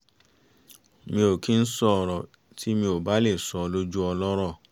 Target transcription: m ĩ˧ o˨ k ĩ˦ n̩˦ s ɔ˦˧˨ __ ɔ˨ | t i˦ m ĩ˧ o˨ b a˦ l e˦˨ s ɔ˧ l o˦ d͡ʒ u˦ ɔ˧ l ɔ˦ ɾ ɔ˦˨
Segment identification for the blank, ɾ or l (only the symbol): ɾ